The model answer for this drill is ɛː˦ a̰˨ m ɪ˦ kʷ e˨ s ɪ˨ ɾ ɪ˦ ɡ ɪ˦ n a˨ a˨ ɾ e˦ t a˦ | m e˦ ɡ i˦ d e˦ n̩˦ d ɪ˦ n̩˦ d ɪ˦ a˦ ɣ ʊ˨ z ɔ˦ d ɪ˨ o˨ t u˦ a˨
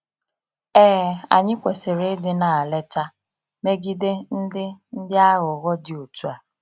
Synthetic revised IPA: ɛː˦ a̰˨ ɲ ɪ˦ kʷ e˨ s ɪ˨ ɾ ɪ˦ d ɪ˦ n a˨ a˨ l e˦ t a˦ | m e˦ ɡ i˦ d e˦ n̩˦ d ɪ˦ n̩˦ d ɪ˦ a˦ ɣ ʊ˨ ɣ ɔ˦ d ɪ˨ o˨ t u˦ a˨

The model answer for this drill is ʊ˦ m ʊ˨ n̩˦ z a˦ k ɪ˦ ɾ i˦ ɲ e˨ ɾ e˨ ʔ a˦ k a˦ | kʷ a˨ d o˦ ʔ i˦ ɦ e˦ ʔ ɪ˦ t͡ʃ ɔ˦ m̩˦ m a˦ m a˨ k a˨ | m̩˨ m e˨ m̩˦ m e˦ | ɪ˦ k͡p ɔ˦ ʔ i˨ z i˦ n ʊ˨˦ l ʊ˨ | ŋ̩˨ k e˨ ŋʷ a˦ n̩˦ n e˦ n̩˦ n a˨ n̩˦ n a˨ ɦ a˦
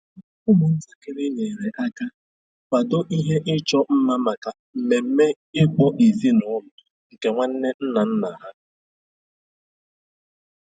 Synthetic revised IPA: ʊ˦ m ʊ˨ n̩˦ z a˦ k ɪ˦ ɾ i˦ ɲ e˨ ɾ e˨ ʔ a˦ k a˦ | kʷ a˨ d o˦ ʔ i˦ ɦ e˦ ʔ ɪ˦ t͡ʃ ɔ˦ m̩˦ m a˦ m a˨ k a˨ | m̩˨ m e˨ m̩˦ m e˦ | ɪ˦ k͡p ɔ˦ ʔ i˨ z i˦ n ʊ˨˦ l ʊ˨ | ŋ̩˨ k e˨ ŋʷ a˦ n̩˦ n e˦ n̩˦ n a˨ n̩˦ n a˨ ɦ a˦

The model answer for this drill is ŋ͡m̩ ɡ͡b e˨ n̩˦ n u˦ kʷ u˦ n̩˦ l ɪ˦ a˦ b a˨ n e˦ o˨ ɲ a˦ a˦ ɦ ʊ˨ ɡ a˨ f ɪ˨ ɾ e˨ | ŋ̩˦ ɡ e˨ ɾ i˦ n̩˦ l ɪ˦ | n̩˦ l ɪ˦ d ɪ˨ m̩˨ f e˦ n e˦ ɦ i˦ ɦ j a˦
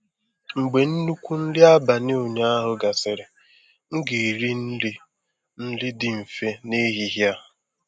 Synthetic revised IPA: ŋ͡m̩ ɡ͡b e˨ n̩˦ n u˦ kʷ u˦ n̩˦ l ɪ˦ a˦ b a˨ n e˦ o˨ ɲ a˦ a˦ ɦ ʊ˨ ɡ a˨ s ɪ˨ ɾ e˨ | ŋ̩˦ ɡ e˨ ɾ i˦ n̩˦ l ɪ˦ | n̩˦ l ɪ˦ d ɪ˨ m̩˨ f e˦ n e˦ ɦ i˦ ɦ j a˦

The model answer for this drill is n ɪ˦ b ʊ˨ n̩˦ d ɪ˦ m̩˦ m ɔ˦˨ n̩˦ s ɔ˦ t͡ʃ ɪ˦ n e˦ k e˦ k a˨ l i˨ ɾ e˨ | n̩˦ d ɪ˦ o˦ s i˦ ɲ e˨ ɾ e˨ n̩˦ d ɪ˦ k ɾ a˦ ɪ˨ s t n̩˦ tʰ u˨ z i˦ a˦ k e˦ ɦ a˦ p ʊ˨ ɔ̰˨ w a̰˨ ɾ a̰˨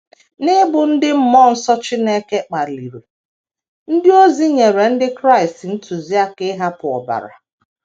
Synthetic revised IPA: n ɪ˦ b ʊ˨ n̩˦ d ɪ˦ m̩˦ m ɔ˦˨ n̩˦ s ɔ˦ t͡ʃ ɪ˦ n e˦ k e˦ k͡p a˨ l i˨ ɾ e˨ | n̩˦ d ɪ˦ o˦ z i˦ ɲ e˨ ɾ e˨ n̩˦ d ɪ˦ k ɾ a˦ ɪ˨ s t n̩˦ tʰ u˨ z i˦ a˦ k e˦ ɦ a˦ p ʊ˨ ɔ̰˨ b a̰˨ ɾ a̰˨

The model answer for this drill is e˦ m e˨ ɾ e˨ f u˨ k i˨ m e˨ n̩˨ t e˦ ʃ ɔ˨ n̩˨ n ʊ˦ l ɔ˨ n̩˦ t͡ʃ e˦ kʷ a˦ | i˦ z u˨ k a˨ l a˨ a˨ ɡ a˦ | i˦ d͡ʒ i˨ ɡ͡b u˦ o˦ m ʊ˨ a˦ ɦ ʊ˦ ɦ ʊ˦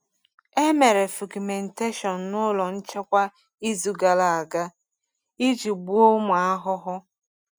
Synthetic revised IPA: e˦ m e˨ ɾ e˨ f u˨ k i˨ m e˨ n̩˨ t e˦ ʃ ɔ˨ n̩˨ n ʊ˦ l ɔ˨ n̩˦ t͡ʃ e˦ kʷ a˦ | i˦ z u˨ ɡ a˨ l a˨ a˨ ɡ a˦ | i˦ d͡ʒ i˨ ɡ͡b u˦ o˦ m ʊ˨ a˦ ɦ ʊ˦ ɦ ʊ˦

